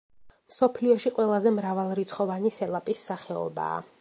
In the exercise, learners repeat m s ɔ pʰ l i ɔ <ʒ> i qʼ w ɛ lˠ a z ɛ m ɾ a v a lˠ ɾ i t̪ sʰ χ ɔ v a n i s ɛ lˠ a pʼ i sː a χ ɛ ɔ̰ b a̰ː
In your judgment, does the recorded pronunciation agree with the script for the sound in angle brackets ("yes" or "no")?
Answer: no